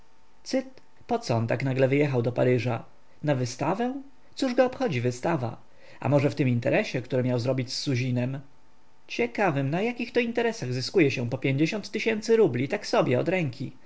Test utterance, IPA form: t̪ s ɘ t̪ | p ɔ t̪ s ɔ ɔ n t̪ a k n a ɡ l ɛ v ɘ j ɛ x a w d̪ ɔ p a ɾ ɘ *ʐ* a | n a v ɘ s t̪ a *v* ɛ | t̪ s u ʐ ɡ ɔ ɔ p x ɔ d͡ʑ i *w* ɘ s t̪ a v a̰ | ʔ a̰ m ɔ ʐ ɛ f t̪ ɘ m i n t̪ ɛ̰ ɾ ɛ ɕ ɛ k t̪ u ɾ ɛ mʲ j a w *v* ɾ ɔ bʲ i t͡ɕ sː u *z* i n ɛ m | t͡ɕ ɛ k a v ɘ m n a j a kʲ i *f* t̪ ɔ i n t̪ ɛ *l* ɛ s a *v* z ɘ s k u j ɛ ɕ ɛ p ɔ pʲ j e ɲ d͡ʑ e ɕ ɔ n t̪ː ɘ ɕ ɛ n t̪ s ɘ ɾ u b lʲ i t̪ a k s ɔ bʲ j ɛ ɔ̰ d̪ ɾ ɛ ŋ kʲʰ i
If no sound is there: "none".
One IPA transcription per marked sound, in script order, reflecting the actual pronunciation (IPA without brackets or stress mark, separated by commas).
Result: ʐ, v, v, z, ʑ, x, ɾ, ɣ